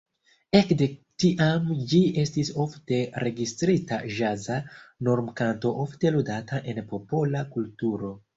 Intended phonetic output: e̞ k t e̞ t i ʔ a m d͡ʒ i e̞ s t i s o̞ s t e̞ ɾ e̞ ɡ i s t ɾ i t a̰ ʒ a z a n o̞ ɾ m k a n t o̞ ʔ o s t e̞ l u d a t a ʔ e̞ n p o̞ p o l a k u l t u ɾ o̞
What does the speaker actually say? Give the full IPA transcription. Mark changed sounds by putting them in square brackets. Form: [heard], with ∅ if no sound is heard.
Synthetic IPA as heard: e̞ k [d] e̞ t i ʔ a m d͡ʒ i e̞ s t i s o̞ [f] t e̞ ɾ e̞ ɡ i s t ɾ i t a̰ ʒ a z a n o̞ ɾ m k a n t o̞ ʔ o [f] t e̞ l u d a t a ʔ e̞ n p o̞ p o l a k u l t u ɾ o̞

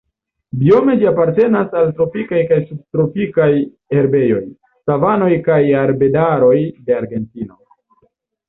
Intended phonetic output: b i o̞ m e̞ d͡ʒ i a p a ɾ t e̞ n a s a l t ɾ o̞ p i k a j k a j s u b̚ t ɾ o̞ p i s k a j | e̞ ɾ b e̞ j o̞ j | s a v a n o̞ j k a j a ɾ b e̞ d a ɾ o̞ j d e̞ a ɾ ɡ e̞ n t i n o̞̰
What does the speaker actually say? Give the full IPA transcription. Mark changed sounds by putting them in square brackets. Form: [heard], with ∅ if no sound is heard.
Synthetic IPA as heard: b i o̞ m e̞ d͡ʒ i a p a ɾ t e̞ n a s a l t ɾ o̞ p i k a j k a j s u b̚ t ɾ o̞ p i [∅] k a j | e̞ ɾ b e̞ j o̞ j | s a v a n o̞ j k a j a ɾ b e̞ d a ɾ o̞ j d e̞ a ɾ ɡ e̞ n t i n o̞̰

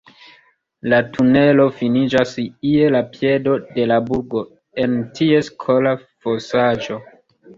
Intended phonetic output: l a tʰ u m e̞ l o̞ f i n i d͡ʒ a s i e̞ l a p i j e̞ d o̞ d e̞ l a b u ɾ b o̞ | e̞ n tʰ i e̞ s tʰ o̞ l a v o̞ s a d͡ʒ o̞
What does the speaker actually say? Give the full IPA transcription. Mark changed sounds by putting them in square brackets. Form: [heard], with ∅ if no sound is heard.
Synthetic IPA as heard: l a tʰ u [n] e̞ l o̞ f i n i d͡ʒ a s i e̞ l a p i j e̞ d o̞ d e̞ l a b u ɾ [ɡ] o̞ | e̞ n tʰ i e̞ s [kʰ] o̞ l a [f] o̞ s a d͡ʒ o̞

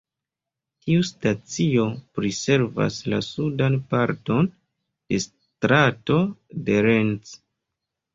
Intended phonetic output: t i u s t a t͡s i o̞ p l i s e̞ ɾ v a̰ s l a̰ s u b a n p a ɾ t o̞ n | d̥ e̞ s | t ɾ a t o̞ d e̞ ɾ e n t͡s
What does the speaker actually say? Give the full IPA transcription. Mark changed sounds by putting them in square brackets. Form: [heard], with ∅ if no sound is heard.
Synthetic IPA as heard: t i u s t a t͡s i o̞ p [ɾ] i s e̞ ɾ v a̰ s l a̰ s u [d] a n p a ɾ t o̞ n | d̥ e̞ s | t ɾ a t o̞ d e̞ ɾ e n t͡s

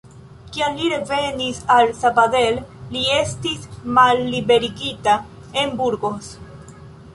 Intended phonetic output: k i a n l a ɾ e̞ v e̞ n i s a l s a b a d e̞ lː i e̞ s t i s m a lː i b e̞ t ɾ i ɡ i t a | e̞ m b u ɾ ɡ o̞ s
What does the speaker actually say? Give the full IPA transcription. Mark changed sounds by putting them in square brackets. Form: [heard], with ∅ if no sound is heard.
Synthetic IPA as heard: k i a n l [i] ɾ e̞ v e̞ n i s a l s a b a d e̞ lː i e̞ s t i s m a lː i b e̞ [∅] ɾ i ɡ i t a | e̞ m b u ɾ ɡ o̞ s

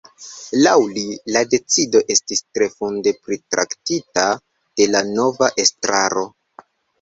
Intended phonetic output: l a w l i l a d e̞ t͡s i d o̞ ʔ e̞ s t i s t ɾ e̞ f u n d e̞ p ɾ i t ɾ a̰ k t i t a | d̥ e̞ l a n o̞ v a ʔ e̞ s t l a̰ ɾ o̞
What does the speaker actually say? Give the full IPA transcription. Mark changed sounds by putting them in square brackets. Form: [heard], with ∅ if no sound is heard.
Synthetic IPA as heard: l a w l i l a d e̞ t͡s i d o̞ ʔ e̞ s t i s t ɾ e̞ f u n d e̞ p ɾ i t ɾ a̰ k t i t a | d̥ e̞ l a n o̞ v a ʔ e̞ s t [ɾ] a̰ ɾ o̞

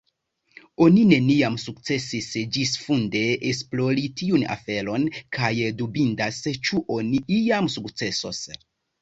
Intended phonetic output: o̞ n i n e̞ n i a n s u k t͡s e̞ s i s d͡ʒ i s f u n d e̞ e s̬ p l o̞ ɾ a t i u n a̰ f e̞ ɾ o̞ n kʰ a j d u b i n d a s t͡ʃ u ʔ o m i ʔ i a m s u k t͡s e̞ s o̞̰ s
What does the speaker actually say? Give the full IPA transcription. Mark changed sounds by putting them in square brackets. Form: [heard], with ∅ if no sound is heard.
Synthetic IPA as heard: o̞ n i n e̞ n i a [m] s u k t͡s e̞ s i s d͡ʒ i s f u n d e̞ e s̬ p l o̞ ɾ [i] t i u n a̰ f e̞ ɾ o̞ n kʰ a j d u b i n d a s t͡ʃ u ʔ o [n] i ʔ i a m s u k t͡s e̞ s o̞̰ s

